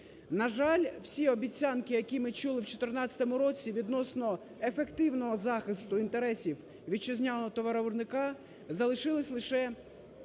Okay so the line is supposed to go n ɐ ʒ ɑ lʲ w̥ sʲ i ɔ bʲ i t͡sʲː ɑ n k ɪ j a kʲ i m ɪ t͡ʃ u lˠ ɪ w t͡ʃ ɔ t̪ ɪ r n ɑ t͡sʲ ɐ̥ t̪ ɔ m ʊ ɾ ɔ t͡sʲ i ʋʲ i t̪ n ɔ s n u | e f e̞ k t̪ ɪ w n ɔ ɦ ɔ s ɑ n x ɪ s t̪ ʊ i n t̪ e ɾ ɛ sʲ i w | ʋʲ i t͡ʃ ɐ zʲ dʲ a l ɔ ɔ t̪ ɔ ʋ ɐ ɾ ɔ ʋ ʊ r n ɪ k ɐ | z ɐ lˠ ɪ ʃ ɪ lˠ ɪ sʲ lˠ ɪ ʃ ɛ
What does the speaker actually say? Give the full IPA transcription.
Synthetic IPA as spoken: n ɐ ʒ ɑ lʲ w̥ sʲ i ɔ bʲ i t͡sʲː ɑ n k ɪ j ɐ kʲ i m ɪ t͡ʃ u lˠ ɪ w t͡ʃ ɔ t̪ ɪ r n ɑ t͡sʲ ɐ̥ t̪ ɔ m ʊ ɾ ɔ t͡sʲ i ʋʲ i d̪ n ɔ s n ɔ | e f e̞ k t̪ ɪ w n ɔ ɦ ɔ z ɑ x ɪ s t̪ ʊ i n t̪ e ɾ ɛ sʲ i w | ʋʲ i t͡ʃ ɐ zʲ nʲ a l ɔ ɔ t̪ ɔ ʋ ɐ ɾ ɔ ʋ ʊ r n ɪ k ɑ | z ɐ lˠ ɪ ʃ ɪ lˠ ɪ sʲ lˠ ɪ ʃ ɛ